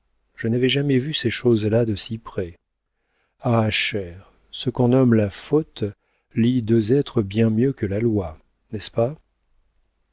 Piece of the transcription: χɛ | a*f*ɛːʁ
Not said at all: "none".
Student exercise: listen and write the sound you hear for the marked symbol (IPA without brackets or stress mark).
ʃ